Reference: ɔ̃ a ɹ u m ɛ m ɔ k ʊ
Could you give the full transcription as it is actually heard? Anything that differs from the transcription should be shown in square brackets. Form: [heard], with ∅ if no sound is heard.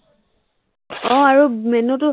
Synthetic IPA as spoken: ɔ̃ a ɹ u m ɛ [n] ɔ [t] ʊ